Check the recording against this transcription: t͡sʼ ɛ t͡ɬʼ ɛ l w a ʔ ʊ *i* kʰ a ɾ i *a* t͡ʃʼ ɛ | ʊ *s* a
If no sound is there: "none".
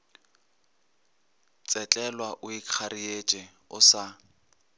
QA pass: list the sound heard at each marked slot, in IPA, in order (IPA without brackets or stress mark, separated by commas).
i, e, s